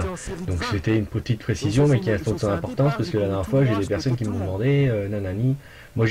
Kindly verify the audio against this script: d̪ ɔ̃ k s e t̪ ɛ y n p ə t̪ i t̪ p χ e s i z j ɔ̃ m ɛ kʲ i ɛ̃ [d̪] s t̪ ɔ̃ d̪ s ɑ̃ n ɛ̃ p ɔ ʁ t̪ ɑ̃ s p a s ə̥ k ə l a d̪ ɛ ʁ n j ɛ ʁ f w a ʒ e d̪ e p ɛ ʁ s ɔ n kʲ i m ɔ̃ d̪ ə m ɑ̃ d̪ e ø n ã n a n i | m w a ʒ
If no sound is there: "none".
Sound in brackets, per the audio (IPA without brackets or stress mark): none